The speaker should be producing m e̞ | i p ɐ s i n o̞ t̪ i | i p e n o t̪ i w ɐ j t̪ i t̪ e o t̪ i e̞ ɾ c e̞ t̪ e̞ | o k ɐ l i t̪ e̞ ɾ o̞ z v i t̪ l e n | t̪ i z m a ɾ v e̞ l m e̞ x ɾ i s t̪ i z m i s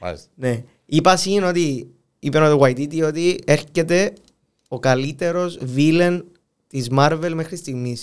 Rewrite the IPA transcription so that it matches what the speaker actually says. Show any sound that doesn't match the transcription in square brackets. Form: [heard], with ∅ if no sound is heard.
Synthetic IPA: [n] e̞ | i p ɐ s i n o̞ t̪ i | i p e n o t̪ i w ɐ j t̪ i t̪ [i] o t̪ i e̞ ɾ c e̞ t̪ e̞ | o k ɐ l i t̪ e̞ ɾ o̞ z v i [∅] l e n | t̪ i z m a ɾ v e̞ l m e̞ x ɾ i s t̪ i [ɣ] m i s